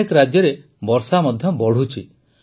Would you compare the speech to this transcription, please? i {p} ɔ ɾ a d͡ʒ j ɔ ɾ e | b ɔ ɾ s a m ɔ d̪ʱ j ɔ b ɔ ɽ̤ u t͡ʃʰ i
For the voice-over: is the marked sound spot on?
no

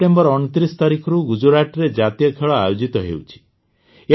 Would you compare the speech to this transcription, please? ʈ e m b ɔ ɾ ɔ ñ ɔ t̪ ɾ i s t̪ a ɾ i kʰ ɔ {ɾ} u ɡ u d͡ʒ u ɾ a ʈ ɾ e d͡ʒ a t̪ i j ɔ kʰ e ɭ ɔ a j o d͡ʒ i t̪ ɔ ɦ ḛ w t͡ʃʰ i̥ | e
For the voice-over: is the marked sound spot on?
yes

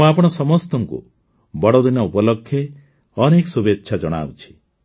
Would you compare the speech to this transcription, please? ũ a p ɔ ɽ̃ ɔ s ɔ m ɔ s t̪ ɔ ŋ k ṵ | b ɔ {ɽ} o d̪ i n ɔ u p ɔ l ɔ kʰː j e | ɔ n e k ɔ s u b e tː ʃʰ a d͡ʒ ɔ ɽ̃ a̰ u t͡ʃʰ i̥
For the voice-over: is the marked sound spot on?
yes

